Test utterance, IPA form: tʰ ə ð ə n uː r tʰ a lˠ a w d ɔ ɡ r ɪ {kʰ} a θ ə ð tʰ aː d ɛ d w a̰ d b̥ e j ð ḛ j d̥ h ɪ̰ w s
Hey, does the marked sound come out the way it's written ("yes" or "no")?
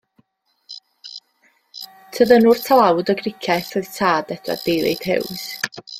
yes